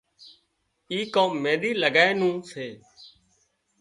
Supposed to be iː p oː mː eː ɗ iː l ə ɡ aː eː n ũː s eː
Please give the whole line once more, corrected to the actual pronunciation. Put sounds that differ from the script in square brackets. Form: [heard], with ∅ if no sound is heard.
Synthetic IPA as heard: iː [k] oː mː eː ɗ iː l ə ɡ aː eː n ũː s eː

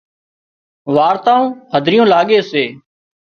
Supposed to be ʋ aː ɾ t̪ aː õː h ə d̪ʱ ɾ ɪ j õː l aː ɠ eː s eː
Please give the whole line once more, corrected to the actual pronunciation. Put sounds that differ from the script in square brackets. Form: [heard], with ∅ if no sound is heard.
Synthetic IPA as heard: ʋ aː ɾ t̪ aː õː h ə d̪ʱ ɾ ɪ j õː l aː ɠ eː s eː

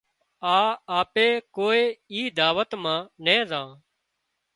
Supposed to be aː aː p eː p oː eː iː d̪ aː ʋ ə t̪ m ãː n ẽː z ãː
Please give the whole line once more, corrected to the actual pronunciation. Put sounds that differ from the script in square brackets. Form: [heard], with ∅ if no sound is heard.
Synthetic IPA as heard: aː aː p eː [k] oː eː iː d̪ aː ʋ ə t̪ m ãː n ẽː z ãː

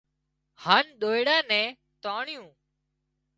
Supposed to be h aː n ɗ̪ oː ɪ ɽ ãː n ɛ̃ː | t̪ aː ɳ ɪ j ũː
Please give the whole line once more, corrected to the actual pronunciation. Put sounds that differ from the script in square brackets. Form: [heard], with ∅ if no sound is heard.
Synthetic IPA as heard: h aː n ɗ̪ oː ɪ ɽ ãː n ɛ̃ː | t̪ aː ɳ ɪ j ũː

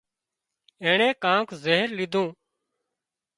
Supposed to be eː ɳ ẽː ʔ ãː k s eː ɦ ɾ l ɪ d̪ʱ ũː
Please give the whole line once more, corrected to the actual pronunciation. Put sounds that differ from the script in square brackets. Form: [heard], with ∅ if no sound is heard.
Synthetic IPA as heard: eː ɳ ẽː [k] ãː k [z] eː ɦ ɾ l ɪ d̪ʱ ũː

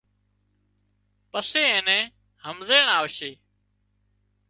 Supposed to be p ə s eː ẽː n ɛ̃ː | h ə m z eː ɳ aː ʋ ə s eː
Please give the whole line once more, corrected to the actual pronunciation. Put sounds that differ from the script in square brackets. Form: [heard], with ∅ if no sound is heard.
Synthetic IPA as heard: p ə s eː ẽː n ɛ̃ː | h ə m z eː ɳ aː ʋ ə [ʃ] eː

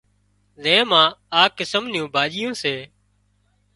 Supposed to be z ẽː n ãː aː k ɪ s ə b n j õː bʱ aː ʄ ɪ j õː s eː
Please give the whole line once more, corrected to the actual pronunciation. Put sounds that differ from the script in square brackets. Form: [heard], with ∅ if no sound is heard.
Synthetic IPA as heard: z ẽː [m] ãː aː k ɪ s ə [m] n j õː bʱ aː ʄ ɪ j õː s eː

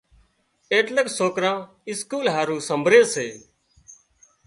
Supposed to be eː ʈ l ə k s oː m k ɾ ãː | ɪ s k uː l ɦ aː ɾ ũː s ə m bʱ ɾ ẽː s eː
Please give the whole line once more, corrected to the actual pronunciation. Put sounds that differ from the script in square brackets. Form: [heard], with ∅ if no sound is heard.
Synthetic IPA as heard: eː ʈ l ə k s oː [∅] k ɾ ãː | ɪ s k uː l ɦ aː ɾ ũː s ə m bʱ ɾ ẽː s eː

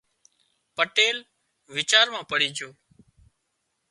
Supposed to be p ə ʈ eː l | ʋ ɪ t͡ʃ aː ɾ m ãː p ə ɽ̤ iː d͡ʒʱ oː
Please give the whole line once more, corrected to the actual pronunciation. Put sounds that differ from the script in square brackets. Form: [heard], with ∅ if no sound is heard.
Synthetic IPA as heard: p ə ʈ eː l | ʋ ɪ t͡ʃ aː ɾ m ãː p ə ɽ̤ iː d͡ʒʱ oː

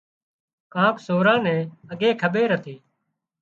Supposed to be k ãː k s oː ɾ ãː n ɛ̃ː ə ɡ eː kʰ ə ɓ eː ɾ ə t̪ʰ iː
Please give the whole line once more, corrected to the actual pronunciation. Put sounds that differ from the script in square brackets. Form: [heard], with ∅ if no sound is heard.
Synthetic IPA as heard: k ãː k s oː ɾ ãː n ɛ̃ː ə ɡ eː kʰ ə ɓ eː ɾ ə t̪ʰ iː

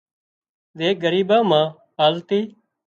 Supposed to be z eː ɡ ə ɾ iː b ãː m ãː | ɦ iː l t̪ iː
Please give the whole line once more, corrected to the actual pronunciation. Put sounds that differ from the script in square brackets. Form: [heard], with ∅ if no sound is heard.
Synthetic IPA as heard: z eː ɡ ə ɾ iː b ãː m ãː | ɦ [aː] l t̪ iː

